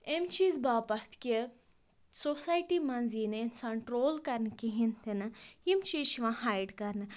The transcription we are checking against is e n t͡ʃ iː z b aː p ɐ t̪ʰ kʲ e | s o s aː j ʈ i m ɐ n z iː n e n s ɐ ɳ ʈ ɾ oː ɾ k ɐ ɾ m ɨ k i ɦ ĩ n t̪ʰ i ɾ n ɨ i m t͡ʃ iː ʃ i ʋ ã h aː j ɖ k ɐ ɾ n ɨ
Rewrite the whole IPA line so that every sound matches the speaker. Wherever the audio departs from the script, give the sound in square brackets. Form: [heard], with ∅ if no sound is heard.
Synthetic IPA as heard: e [m] t͡ʃ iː z b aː p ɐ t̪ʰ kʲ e | s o s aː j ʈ i m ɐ n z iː n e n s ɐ ɳ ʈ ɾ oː [l] k ɐ ɾ [n] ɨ k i ɦ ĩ n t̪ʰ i [∅] n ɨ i m t͡ʃ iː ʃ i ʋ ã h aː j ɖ k ɐ ɾ n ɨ